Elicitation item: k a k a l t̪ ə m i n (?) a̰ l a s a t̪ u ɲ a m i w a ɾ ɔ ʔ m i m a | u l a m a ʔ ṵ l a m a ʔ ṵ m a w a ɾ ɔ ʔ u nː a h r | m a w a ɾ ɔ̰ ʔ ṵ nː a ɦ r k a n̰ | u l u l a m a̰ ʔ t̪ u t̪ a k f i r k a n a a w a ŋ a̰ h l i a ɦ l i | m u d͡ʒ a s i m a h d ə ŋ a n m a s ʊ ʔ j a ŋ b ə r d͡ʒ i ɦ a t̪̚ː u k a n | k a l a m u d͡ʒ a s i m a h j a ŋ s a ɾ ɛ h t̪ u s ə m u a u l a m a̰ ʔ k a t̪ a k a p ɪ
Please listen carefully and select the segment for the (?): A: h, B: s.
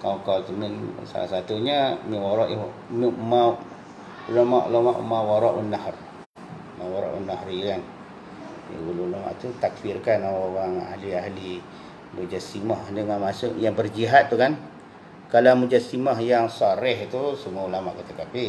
B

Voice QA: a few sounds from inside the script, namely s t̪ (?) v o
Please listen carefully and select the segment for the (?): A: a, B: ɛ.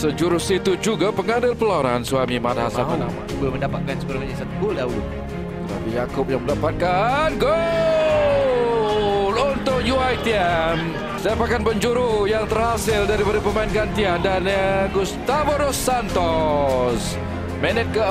A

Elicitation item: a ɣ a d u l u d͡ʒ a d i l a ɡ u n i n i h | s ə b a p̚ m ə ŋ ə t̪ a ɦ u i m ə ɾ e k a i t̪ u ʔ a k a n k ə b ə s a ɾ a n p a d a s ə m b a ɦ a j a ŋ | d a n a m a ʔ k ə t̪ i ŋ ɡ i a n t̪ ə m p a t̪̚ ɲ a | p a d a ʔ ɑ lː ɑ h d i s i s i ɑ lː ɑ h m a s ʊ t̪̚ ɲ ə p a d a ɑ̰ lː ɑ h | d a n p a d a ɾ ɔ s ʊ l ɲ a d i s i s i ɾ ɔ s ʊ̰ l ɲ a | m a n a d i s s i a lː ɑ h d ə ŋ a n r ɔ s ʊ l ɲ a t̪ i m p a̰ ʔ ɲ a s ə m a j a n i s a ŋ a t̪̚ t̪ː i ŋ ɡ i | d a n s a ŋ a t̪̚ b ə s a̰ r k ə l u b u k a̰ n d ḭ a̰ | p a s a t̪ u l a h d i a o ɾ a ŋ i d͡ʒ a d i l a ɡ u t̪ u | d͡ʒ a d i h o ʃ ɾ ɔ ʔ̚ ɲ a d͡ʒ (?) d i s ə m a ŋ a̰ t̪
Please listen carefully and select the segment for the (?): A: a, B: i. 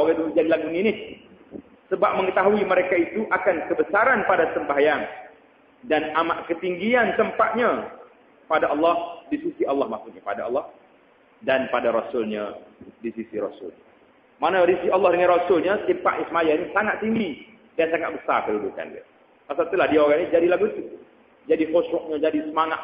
A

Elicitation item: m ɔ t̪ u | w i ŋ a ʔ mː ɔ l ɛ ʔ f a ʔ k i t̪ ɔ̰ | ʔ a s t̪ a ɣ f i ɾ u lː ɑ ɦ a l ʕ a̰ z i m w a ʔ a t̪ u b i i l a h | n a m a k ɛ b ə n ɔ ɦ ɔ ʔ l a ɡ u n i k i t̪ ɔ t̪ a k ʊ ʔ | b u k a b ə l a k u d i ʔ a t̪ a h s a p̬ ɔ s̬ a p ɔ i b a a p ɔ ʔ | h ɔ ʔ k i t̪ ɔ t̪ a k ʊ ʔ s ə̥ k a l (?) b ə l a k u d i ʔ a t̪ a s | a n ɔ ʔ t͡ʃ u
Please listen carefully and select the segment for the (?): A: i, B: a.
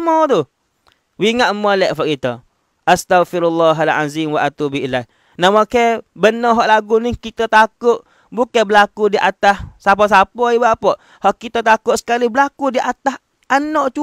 A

